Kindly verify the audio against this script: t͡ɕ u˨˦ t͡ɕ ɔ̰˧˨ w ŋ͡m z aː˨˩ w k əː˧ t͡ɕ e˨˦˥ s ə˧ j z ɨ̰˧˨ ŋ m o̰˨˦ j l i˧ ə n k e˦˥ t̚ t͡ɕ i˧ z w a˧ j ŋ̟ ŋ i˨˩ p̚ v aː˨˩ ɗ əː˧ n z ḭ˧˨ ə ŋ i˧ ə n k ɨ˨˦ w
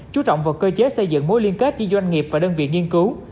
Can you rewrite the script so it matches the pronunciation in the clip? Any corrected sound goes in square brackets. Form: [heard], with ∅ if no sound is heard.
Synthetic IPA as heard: t͡ɕ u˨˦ t͡ɕ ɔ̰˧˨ w ŋ͡m [v] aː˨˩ w k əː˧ t͡ɕ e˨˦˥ s ə˧ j z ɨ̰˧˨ ŋ m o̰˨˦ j l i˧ ə n k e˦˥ t̚ t͡ɕ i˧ z w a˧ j ŋ̟ ŋ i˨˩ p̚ v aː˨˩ ɗ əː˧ n [v] ḭ˧˨ ə ŋ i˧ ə n k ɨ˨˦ w